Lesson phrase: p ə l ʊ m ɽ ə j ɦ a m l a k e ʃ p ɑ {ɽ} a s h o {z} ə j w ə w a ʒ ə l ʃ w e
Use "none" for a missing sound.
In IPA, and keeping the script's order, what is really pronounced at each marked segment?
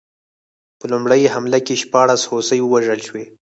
ɽ, s

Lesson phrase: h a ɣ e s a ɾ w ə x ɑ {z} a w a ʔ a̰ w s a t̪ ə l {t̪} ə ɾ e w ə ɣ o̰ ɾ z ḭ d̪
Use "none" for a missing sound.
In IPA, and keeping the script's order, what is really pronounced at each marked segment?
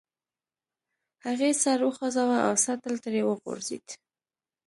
z, t̪

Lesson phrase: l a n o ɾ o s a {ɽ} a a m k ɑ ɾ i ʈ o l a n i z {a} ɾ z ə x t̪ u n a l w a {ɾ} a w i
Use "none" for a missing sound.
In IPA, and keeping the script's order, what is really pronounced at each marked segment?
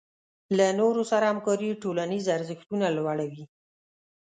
ɾ, a, ɽ

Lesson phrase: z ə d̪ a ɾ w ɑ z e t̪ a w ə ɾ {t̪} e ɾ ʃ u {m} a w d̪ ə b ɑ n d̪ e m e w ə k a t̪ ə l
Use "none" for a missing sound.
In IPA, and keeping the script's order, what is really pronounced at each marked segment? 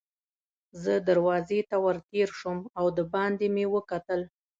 t̪, m

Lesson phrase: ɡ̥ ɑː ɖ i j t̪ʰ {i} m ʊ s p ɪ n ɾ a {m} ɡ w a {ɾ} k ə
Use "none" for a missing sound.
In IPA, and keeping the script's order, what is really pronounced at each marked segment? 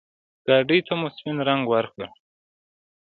a, ŋ, ɾ

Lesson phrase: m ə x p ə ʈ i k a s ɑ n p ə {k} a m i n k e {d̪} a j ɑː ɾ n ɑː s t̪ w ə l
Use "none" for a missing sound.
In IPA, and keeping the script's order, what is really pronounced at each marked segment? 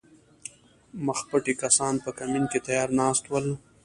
k, t̪

